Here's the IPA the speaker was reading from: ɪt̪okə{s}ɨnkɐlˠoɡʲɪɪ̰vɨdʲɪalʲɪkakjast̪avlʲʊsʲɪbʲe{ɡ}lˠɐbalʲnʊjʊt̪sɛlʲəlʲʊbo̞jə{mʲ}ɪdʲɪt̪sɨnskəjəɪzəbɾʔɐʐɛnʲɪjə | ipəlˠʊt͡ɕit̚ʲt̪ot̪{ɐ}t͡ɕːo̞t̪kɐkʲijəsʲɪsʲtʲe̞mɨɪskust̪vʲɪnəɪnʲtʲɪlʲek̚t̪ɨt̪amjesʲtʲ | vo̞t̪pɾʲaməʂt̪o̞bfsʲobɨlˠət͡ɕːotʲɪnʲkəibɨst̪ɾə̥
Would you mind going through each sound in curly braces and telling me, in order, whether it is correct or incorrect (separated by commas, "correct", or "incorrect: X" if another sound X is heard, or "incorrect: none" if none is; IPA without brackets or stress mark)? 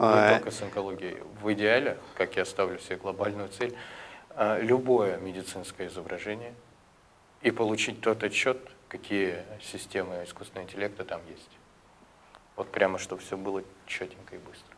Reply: correct, correct, correct, correct